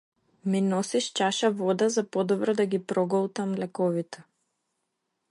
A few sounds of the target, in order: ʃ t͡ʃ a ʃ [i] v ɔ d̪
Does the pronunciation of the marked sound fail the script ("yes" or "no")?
yes